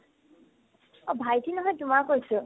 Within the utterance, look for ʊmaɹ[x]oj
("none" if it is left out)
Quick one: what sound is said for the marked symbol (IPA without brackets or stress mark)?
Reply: k